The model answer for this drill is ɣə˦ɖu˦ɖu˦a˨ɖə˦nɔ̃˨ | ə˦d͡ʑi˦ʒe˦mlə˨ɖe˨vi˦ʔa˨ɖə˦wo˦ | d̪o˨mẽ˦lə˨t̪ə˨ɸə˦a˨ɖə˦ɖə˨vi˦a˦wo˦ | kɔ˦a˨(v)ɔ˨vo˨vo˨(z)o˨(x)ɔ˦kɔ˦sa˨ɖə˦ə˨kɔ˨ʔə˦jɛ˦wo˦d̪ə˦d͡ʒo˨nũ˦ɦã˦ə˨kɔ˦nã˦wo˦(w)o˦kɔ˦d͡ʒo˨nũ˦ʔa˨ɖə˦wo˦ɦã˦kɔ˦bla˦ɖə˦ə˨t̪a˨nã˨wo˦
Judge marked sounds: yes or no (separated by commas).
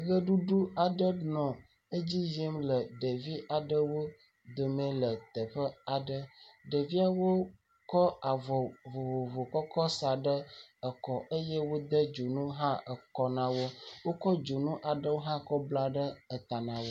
yes, no, no, yes